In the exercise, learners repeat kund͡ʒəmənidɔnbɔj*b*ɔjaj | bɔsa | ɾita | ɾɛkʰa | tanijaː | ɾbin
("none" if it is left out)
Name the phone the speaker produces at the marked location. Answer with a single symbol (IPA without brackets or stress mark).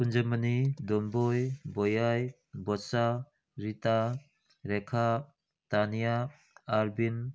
b